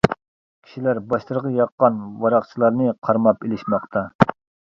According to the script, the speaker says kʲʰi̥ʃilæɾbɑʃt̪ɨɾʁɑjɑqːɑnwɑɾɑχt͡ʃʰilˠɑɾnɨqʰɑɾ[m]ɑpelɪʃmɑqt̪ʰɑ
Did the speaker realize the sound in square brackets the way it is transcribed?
yes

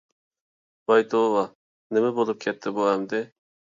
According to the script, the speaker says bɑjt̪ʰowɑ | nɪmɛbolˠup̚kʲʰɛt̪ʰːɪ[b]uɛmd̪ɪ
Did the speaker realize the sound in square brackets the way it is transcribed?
yes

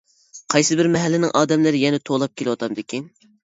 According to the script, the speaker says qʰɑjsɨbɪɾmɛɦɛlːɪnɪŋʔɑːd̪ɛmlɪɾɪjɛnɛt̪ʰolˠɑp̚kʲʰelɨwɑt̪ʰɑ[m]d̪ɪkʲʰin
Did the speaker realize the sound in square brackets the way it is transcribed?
yes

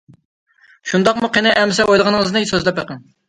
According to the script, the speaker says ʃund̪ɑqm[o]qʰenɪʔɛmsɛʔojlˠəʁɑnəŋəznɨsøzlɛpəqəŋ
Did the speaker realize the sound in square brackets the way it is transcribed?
no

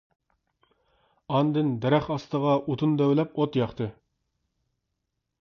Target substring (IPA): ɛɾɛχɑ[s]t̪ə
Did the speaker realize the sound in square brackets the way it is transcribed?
yes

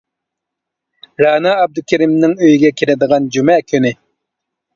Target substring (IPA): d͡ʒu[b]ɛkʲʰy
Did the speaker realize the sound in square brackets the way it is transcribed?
no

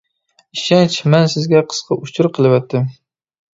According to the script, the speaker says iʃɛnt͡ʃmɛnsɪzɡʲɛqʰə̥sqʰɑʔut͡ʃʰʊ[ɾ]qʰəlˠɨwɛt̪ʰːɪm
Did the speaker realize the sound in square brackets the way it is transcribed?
yes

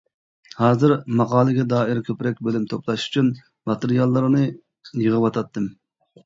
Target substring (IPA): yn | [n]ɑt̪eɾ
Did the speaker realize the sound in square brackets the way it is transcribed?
no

